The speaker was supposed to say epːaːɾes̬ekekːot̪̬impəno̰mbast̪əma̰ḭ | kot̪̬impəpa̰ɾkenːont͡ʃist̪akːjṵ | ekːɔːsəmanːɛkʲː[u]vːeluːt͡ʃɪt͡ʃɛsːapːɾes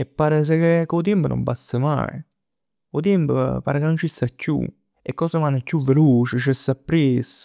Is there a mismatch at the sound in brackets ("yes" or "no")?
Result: no